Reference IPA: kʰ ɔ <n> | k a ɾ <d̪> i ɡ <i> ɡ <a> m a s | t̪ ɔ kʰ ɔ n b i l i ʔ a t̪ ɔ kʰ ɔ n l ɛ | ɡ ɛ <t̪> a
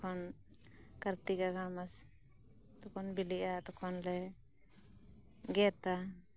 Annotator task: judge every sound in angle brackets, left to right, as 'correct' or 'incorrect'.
correct, incorrect, incorrect, correct, correct

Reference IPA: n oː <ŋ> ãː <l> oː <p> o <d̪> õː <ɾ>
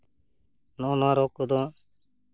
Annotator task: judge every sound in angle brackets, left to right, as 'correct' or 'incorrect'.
incorrect, incorrect, incorrect, correct, incorrect

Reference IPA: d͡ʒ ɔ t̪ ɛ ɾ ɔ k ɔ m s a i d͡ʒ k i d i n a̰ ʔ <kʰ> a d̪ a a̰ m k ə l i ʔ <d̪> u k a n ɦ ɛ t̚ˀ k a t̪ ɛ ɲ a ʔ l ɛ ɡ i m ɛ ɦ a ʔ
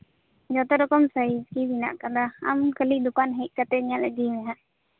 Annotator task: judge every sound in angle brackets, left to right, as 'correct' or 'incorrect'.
incorrect, correct

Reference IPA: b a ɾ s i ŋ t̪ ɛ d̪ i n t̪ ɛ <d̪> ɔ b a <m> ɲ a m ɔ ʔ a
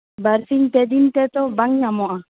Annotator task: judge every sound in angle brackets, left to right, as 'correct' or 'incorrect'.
incorrect, incorrect

